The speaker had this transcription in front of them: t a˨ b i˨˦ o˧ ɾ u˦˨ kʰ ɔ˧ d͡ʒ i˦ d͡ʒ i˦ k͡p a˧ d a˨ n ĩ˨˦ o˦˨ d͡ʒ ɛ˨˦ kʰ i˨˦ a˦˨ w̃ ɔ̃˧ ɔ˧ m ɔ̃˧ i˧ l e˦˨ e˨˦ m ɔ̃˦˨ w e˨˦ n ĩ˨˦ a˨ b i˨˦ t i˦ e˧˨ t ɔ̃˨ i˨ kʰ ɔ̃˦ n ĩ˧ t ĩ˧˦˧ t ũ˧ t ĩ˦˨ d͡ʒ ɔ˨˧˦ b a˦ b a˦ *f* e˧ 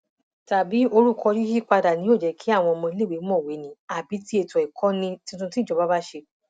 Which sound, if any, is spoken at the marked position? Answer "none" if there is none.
ʃ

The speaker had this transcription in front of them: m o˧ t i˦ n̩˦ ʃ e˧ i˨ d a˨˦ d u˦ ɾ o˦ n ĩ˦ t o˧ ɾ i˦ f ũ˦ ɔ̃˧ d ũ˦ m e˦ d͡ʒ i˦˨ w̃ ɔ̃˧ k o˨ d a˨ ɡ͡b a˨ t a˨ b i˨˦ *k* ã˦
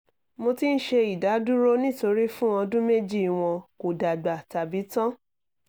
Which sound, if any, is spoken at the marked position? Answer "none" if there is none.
t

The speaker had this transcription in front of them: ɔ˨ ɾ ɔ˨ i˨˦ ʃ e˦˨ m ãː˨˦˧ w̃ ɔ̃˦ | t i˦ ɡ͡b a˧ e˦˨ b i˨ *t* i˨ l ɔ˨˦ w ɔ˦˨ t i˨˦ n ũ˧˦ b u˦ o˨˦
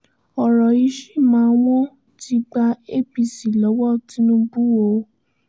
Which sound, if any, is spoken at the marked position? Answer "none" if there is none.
s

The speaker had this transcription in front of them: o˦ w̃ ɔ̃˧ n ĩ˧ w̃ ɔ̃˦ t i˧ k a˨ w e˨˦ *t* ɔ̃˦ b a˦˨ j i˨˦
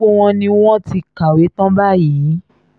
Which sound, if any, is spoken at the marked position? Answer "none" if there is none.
t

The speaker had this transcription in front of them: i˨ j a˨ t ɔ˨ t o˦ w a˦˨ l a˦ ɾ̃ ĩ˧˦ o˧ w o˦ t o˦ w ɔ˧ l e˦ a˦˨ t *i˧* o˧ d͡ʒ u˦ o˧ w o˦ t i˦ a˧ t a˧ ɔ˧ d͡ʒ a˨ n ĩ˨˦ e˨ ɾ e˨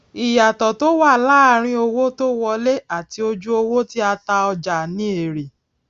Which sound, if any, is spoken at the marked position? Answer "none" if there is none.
i˧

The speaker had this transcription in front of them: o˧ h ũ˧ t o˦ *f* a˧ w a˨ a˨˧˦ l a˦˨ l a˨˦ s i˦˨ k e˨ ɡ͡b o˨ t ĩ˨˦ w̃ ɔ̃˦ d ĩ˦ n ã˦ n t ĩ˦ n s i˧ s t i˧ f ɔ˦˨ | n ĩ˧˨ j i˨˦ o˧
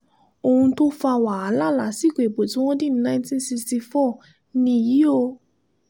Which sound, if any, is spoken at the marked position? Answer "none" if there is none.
f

